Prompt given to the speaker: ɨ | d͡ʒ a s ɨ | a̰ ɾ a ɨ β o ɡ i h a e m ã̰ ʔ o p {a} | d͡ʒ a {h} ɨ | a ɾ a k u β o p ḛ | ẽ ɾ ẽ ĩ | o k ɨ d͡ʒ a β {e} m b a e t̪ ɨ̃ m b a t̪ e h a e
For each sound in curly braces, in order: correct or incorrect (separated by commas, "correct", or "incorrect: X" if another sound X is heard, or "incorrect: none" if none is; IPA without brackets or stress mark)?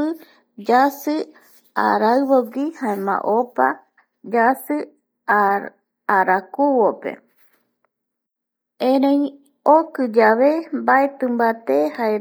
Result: correct, incorrect: s, correct